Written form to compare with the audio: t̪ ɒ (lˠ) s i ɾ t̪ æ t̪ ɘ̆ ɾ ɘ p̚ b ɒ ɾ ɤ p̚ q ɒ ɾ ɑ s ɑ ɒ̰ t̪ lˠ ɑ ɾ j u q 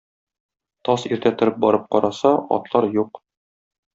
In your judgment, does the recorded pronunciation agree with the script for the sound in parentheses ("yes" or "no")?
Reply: no